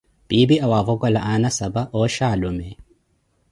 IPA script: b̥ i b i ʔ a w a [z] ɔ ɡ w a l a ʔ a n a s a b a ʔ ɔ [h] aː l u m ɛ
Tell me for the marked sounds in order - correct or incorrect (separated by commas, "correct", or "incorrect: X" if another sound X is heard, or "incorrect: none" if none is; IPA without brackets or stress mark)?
incorrect: v, incorrect: ʃ